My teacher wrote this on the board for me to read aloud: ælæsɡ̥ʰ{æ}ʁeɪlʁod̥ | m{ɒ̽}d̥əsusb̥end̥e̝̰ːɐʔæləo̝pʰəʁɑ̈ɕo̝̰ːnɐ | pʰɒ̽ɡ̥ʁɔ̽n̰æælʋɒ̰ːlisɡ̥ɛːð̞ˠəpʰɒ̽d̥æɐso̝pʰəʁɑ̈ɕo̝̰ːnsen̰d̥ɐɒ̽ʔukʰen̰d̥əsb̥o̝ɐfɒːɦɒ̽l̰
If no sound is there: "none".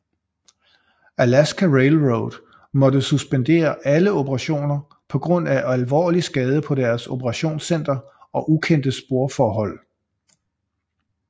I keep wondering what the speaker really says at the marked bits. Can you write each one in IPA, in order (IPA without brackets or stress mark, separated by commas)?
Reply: æ, ɒ̽